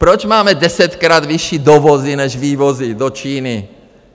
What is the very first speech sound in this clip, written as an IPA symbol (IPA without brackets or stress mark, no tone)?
p